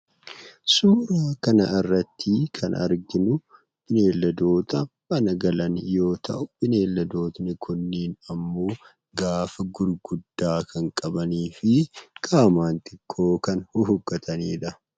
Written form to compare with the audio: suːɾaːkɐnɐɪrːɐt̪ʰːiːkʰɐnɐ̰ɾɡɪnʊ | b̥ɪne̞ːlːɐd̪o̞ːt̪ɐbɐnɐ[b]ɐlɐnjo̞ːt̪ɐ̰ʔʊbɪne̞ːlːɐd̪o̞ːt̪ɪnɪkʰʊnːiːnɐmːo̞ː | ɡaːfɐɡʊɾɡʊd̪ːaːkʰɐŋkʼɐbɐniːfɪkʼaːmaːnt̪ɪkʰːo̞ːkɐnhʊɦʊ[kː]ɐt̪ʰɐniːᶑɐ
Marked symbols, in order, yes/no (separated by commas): no, no